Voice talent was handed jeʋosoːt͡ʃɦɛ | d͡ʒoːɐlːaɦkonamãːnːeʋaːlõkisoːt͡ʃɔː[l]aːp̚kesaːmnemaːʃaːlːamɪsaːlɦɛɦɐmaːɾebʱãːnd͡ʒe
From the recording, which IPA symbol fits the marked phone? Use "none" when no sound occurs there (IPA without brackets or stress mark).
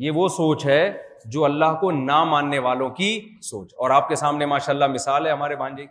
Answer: ɾ